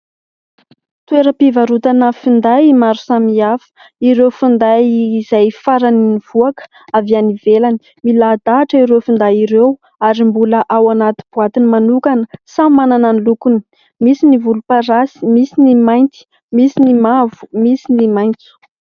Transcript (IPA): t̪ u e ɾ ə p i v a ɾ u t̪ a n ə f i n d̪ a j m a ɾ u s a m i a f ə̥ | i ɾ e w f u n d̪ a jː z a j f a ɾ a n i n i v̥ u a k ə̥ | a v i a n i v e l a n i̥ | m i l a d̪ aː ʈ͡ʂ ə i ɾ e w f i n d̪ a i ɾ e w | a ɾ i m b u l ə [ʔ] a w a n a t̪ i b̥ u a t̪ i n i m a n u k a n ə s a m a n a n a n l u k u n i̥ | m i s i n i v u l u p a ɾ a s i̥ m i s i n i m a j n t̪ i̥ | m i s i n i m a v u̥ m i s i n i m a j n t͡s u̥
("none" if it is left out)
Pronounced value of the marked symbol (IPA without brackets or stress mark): ʔ